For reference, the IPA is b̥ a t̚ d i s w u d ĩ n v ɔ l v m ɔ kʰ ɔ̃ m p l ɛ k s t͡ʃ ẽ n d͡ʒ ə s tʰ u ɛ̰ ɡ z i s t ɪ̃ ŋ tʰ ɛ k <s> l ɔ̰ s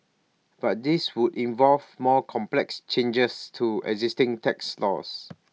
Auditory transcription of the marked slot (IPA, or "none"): s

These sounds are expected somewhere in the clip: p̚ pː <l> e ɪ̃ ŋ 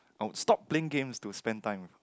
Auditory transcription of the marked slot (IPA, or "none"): l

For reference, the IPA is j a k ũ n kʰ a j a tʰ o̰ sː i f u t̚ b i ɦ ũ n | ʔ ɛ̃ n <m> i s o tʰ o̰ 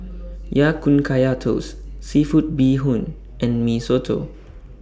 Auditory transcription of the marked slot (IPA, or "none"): m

